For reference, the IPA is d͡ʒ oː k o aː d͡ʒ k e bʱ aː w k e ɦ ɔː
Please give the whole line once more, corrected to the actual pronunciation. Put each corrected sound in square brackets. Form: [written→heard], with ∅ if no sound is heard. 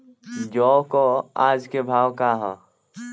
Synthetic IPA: d͡ʒ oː k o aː d͡ʒ k e bʱ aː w k [e→a] ɦ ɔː